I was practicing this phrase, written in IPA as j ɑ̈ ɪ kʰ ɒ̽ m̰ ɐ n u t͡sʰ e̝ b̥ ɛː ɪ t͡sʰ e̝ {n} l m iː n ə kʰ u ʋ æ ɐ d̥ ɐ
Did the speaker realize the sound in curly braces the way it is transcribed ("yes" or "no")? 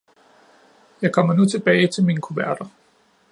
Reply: no